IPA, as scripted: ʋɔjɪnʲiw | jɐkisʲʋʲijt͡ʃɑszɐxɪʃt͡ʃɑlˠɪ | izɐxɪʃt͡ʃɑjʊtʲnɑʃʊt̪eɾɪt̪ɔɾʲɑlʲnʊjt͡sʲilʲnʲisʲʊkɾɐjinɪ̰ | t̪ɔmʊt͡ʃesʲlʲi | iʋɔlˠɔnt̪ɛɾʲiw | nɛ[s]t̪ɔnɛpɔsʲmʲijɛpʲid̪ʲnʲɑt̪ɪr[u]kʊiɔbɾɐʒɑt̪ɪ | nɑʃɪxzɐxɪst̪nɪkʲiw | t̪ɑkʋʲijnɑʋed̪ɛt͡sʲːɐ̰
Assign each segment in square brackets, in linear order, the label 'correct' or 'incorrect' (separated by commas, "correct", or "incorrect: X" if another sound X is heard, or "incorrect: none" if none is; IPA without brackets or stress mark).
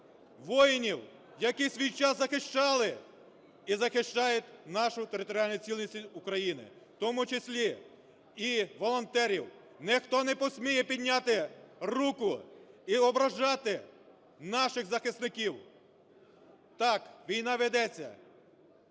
incorrect: x, correct